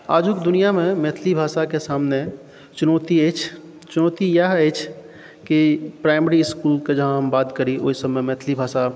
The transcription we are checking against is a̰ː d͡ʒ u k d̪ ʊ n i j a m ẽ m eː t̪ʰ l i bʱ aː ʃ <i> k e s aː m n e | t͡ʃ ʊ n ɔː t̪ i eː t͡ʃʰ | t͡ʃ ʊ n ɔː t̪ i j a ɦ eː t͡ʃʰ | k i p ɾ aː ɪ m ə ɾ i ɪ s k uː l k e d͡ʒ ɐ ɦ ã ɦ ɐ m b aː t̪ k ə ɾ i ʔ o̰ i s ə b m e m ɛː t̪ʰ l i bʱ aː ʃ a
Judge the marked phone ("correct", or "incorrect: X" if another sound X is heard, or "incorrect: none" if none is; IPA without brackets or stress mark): incorrect: a